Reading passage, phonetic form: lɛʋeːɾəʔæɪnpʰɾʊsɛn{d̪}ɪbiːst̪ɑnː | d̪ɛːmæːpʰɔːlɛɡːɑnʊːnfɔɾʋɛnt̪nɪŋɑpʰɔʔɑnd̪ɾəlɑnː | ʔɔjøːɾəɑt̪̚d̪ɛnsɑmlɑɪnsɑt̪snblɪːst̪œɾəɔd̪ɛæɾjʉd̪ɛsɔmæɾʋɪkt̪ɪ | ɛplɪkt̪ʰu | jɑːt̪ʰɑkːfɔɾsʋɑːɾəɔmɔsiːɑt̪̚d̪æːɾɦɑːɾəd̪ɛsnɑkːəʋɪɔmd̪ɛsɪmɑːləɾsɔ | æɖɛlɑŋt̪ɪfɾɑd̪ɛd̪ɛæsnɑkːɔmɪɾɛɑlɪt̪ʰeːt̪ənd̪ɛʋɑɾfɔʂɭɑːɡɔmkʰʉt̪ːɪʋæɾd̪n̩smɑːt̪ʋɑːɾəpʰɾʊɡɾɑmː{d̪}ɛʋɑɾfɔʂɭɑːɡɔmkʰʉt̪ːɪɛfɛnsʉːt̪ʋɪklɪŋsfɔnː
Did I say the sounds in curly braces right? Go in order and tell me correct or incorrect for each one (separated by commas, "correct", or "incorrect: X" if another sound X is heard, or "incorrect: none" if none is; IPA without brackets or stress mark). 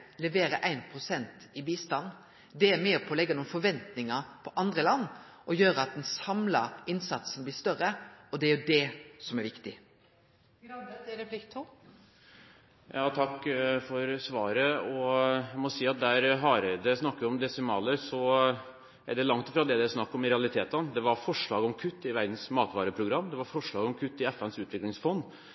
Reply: incorrect: t̪, correct